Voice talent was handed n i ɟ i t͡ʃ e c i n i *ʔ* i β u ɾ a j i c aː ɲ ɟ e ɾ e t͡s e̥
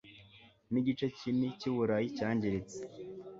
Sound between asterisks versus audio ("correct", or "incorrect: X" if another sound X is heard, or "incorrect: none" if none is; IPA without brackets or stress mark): incorrect: c